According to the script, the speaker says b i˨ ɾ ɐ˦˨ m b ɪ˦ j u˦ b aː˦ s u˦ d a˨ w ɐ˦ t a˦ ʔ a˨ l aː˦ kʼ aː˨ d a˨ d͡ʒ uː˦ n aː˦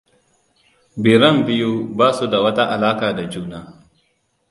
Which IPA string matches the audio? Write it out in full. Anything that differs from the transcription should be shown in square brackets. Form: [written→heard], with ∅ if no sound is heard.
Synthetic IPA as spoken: b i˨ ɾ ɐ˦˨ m b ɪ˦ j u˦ b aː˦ s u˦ d a˨ w ɐ˦ t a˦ ʔ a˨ l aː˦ [kʼ→k] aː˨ d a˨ d͡ʒ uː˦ n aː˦